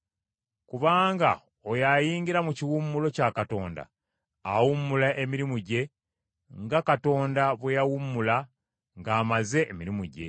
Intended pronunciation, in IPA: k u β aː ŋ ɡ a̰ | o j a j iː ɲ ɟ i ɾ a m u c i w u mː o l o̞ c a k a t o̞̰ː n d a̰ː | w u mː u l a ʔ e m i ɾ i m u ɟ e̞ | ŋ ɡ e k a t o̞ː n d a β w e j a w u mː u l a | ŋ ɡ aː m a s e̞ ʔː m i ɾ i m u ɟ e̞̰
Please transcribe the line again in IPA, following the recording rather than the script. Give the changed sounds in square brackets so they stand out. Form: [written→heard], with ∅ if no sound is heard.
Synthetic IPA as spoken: k u β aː ŋ ɡ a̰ | o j a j iː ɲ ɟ i ɾ a m u c i w u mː [o→u] l o̞ c a k a t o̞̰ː n d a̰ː | w u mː u l a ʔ e m i ɾ i m u ɟ e̞ | ŋ ɡ [e→a] k a t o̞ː n d a β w e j a w u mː u l a | ŋ ɡ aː m a [s→z] e̞ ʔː m i ɾ i m u ɟ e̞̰